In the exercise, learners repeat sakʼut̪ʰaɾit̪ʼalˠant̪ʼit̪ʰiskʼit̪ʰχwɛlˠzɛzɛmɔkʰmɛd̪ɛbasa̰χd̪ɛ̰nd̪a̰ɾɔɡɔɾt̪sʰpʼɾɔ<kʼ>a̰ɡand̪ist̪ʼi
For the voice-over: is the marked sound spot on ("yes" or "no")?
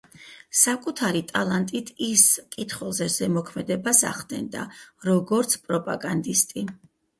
no